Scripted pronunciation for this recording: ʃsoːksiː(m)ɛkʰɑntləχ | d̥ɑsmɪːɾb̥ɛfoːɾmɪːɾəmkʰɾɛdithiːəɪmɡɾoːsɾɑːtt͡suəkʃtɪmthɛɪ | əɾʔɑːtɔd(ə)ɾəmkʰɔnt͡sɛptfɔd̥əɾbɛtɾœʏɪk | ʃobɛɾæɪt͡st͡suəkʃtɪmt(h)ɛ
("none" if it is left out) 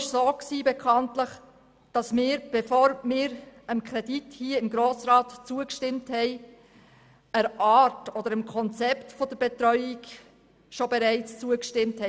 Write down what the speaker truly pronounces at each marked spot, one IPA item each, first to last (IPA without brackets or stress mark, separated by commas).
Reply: b, ə, h